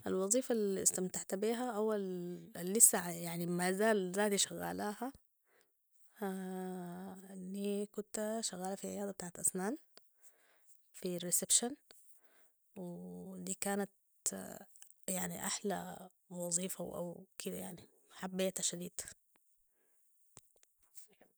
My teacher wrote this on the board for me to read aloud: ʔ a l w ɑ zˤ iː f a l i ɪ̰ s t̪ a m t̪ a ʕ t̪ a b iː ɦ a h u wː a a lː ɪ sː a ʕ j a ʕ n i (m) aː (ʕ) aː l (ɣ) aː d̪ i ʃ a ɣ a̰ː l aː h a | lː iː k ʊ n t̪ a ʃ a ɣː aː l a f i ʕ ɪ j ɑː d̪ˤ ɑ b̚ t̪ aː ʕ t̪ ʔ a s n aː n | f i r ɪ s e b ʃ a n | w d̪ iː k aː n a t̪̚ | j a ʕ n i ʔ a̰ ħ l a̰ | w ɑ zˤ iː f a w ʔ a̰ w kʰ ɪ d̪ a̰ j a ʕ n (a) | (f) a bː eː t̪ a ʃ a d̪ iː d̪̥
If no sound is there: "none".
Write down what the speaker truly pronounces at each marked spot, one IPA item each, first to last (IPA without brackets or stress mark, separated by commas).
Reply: m, z, z, i, ħ